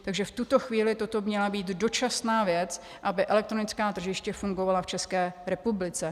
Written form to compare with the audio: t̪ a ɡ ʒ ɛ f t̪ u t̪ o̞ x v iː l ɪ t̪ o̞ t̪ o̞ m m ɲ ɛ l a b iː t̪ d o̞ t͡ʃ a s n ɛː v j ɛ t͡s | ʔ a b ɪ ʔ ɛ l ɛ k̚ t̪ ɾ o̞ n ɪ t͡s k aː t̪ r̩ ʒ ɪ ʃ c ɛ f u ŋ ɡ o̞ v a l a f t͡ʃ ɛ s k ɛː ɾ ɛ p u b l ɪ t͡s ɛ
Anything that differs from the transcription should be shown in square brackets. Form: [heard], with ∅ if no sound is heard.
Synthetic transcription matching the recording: t̪ a ɡ ʒ ɛ f t̪ u t̪ o̞ x v iː l ɪ t̪ o̞ t̪ o̞ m m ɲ ɛ l a b iː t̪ d o̞ t͡ʃ a s n [aː] v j ɛ t͡s | ʔ a b ɪ ʔ ɛ l ɛ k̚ t̪ ɾ o̞ n ɪ t͡s k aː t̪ r̩ ʒ ɪ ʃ c ɛ f u ŋ ɡ o̞ v a l a f t͡ʃ ɛ s k ɛː ɾ ɛ p u b l ɪ t͡s ɛ